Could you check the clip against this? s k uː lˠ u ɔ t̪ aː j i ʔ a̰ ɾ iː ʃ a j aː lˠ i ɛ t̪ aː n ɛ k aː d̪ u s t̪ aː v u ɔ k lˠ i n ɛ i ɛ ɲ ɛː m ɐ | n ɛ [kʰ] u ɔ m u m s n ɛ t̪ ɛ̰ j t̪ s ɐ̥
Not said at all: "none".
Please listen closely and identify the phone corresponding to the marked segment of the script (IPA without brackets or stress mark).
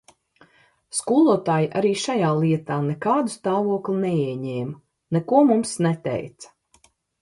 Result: k